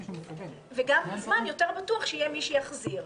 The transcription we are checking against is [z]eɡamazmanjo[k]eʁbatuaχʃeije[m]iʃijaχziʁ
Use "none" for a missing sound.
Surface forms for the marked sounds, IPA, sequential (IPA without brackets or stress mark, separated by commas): v, t, m